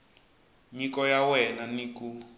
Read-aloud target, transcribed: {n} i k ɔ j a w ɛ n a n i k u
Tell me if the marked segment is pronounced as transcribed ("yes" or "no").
no